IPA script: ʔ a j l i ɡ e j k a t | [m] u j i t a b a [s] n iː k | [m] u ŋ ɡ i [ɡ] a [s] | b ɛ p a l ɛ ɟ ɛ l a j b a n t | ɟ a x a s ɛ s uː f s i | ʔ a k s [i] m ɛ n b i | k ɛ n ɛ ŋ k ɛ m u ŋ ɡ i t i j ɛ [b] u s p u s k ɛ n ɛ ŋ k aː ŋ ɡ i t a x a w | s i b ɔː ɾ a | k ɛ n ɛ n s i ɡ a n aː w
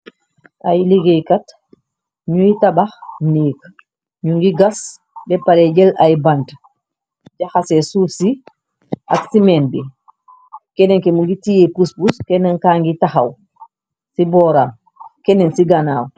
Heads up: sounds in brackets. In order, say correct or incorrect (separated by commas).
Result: incorrect, incorrect, incorrect, correct, correct, correct, incorrect